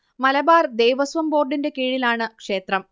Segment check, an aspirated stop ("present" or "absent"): absent